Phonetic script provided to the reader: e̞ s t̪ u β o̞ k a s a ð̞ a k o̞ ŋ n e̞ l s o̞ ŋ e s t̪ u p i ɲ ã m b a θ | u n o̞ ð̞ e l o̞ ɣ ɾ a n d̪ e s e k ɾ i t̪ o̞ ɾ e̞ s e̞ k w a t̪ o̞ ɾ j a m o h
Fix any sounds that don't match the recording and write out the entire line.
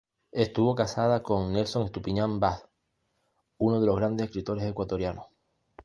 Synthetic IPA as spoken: e̞ s t̪ u β o̞ k a s a ð̞ a k o̞ ŋ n e̞ l s o̞ ŋ e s t̪ u p i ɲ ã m b a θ | u n o̞ ð̞ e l o̞ ɣ ɾ a n d̪ e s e k ɾ i t̪ o̞ ɾ e̞ s e̞ k w a t̪ o̞ ɾ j a n o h